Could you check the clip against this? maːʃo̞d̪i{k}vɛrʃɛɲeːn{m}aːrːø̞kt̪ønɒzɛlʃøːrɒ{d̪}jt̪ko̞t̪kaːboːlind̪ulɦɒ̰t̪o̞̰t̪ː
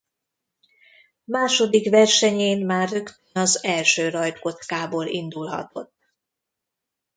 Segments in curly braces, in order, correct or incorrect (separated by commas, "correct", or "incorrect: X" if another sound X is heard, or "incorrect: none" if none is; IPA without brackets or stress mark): correct, correct, incorrect: none